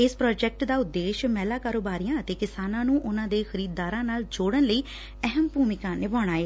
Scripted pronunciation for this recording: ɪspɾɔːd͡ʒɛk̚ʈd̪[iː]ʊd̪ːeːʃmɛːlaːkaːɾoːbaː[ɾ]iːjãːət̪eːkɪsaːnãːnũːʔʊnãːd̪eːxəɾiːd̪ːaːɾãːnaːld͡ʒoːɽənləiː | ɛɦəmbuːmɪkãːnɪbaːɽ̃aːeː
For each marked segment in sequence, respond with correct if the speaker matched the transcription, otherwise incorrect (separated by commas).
incorrect, correct